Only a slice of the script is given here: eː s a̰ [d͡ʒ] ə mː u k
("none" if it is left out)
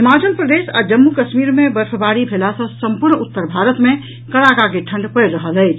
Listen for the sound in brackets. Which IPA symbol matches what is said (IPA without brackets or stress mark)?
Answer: d͡ʒ